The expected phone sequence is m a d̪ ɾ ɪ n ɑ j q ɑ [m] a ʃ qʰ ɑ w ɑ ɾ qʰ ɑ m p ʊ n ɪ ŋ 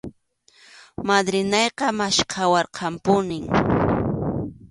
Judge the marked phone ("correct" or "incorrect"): correct